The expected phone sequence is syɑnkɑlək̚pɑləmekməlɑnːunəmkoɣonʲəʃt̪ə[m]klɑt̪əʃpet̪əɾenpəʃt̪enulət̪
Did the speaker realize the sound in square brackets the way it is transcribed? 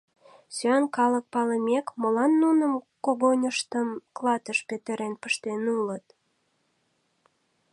yes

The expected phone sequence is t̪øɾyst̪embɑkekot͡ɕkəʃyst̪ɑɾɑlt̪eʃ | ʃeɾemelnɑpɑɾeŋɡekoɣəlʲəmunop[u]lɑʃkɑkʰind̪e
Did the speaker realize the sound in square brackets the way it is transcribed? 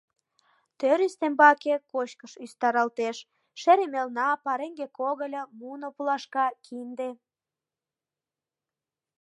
yes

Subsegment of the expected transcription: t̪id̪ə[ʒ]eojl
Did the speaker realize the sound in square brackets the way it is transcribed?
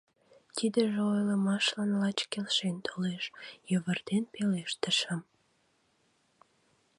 yes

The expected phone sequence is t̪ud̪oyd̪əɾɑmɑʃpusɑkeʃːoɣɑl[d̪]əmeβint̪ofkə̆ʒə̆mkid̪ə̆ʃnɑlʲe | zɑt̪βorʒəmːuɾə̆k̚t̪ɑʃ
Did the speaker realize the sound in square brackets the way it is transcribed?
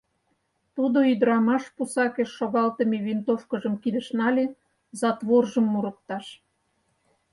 no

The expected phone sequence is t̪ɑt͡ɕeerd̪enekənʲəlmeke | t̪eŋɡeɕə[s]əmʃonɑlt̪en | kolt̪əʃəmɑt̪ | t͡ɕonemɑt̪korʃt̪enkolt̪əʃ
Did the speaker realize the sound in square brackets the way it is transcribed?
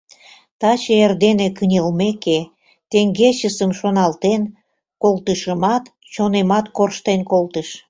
yes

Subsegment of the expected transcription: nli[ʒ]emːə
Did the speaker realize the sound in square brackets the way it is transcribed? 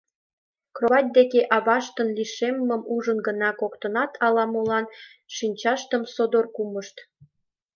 no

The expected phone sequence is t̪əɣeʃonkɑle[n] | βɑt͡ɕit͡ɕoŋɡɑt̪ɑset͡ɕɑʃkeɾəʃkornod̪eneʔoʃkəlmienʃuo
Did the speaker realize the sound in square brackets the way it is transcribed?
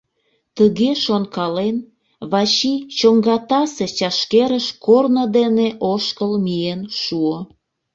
yes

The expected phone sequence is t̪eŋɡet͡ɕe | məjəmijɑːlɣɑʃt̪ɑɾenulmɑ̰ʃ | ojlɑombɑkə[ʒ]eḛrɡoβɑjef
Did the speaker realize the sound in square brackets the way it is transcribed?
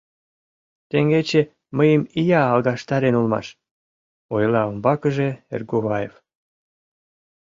yes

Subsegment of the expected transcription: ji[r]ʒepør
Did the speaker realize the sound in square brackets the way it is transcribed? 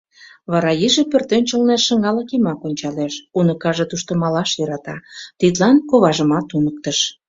no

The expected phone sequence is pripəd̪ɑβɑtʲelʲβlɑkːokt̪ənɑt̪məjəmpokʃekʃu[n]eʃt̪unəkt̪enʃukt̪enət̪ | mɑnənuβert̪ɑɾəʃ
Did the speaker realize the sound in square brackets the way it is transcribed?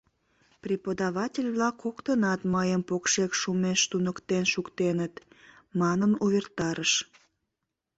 no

